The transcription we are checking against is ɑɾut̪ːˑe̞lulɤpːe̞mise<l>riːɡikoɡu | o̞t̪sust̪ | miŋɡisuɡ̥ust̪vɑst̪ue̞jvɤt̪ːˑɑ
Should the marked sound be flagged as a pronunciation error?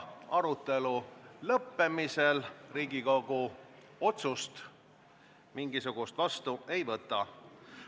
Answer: no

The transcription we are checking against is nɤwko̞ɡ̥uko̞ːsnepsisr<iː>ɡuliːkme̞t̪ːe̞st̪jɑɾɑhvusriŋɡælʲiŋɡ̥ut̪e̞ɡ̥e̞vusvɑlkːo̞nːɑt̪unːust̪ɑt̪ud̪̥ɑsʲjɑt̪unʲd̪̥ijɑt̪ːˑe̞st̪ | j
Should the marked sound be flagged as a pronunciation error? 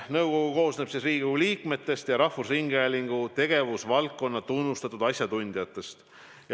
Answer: no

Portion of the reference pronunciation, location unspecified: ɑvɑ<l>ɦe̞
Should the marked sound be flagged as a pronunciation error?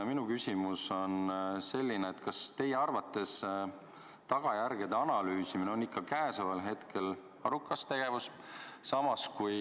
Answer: no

